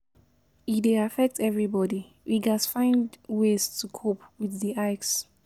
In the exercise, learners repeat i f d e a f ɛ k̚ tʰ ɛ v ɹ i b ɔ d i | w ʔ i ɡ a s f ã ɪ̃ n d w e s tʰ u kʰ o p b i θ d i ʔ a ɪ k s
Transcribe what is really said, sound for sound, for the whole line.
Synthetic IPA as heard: i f d e a f ɛ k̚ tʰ ɛ v ɹ i b ɔ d i | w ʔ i ɡ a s f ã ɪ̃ n d w e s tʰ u kʰ o p w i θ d i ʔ a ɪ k s